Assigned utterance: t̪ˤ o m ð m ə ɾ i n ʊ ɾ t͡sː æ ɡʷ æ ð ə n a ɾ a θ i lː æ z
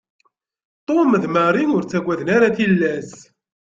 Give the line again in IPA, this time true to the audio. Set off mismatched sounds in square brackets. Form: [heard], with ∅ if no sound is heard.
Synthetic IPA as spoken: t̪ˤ o m ð m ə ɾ i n ʊ ɾ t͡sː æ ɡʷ æ ð ə n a ɾ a θ i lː æ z

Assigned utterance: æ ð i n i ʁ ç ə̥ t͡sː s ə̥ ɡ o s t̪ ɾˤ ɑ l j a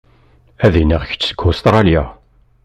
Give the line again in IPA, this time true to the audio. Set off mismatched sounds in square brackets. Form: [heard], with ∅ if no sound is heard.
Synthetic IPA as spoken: æ ð i n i ʁ ç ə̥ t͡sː s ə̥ ɡ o s t̪ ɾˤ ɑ l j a

